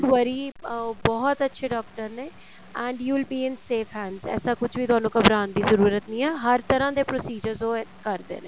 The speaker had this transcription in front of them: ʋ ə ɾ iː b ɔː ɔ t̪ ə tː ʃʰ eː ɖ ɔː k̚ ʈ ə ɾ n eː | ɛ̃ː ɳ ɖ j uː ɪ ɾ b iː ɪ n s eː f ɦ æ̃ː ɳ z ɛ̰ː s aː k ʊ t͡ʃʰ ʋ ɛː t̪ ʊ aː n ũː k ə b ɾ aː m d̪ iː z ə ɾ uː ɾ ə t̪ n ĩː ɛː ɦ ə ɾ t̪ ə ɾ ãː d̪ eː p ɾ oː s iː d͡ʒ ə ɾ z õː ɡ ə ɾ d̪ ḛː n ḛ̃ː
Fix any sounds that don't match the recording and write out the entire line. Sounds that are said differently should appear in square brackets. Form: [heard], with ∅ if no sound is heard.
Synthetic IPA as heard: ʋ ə ɾ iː b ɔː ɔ t̪ ə tː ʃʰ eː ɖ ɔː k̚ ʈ ə ɾ n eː | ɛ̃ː ɳ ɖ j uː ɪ [l] b iː ɪ n s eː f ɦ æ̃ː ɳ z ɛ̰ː s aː k ʊ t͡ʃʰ ʋ [iː] t̪ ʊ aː n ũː k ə b ɾ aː [n] d̪ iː z ə ɾ uː ɾ ə t̪ n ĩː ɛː ɦ ə ɾ t̪ ə ɾ ãː d̪ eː p ɾ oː s iː d͡ʒ ə ɾ z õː [k] ə ɾ d̪ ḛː n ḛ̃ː